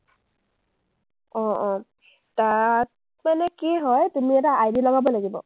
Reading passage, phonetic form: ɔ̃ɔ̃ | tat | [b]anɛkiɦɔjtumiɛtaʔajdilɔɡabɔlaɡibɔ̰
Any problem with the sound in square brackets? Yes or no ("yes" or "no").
yes